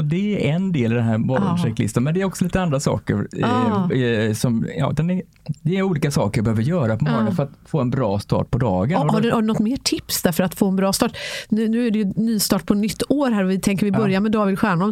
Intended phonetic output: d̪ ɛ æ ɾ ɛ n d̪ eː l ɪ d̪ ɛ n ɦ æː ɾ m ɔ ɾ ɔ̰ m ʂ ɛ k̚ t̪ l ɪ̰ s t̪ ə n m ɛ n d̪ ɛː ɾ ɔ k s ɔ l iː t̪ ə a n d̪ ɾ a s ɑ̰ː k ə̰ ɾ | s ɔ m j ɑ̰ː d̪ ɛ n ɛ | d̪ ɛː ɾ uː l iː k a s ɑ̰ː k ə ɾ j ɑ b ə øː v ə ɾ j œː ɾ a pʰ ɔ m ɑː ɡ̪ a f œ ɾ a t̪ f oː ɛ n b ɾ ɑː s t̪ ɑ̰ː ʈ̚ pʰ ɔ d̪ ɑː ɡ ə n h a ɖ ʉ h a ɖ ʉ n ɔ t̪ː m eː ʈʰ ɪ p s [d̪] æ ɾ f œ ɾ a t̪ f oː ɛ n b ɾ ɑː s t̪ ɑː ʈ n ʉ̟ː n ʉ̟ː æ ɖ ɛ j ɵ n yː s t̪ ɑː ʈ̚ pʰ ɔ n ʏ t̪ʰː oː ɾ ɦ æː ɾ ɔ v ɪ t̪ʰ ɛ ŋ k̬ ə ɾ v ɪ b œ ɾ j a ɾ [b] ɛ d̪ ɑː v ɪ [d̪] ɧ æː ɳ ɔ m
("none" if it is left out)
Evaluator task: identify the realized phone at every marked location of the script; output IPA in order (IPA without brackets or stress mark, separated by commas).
d̪, m, d̪